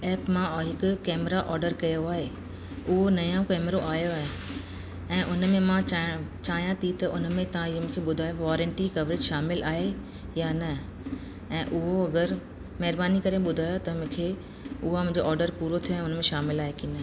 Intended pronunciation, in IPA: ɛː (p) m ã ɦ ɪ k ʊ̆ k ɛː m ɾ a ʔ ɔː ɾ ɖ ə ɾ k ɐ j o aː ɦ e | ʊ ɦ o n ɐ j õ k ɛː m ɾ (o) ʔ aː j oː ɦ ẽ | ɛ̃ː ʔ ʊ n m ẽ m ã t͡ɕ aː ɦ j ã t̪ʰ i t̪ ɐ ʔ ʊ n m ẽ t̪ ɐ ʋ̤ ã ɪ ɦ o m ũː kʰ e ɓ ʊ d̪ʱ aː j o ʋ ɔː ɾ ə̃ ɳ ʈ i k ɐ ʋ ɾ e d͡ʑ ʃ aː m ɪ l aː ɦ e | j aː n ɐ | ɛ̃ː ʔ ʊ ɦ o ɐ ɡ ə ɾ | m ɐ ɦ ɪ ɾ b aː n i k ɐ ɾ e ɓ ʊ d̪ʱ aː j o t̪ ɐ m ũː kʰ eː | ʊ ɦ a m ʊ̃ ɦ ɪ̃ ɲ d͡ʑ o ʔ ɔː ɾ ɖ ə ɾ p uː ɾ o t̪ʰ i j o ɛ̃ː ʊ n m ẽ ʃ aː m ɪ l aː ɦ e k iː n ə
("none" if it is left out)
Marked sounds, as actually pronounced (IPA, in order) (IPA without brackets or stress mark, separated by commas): p, o